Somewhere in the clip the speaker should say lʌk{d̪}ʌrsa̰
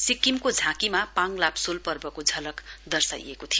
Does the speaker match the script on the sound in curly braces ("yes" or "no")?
yes